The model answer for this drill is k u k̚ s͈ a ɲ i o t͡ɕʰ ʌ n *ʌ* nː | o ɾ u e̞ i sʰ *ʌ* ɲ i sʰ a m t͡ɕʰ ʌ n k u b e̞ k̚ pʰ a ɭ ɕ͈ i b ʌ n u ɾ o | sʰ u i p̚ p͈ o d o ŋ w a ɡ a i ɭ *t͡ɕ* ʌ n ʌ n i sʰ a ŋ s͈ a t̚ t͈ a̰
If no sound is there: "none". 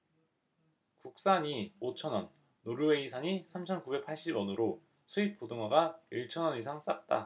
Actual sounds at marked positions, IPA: ʌ, a, t͡ɕʰ

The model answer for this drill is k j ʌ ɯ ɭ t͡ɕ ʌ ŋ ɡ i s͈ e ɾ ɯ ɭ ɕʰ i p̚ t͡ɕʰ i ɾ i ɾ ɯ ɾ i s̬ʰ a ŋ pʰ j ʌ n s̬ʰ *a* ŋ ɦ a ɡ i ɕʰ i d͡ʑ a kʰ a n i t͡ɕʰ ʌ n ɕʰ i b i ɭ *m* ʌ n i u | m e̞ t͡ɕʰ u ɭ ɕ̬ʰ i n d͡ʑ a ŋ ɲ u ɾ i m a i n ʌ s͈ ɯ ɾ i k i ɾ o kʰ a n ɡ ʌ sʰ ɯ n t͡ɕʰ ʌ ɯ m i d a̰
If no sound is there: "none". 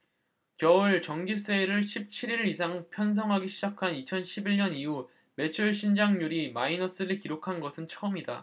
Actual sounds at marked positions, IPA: ʌ, ɲ

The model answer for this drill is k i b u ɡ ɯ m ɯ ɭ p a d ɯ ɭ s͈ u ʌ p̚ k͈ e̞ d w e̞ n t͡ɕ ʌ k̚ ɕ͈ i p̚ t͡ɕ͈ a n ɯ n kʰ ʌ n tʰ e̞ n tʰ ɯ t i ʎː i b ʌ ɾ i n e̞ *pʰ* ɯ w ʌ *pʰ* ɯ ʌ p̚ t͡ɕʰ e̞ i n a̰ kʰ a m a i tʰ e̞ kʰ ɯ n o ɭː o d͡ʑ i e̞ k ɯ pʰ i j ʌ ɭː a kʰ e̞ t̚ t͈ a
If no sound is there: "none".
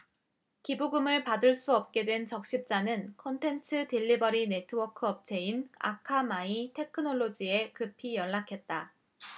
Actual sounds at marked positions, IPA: tʰ, kʰ

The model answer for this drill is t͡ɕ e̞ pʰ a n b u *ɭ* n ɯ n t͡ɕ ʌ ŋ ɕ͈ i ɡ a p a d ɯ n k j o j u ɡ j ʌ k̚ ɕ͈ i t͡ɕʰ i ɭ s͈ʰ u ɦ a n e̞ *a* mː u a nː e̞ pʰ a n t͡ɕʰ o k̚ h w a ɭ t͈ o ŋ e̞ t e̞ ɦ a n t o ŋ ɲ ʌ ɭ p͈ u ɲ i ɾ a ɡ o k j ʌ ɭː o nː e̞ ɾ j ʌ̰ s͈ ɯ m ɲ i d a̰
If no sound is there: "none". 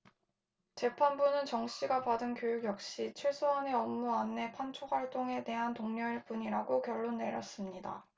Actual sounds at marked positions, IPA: none, ʌ

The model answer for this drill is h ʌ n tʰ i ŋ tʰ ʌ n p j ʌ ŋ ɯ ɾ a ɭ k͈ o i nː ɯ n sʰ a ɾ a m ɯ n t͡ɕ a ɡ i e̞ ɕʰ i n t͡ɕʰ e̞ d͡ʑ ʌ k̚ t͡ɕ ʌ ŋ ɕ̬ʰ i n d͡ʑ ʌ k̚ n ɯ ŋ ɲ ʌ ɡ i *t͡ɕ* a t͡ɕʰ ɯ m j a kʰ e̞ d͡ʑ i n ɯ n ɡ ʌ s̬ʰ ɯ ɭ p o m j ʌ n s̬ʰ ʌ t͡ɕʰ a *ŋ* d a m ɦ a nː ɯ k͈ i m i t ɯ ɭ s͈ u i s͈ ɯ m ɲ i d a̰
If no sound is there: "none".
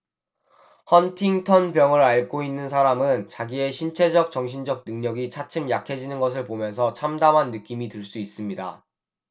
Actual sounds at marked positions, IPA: t͡ɕʰ, m

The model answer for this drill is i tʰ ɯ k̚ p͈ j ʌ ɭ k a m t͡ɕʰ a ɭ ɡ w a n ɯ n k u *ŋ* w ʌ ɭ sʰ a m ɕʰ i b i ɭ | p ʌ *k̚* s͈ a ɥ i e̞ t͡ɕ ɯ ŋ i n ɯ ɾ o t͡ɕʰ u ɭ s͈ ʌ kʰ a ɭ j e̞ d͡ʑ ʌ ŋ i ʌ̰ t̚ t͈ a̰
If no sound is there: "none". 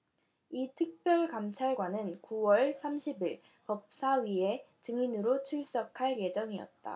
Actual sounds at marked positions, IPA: none, p̚

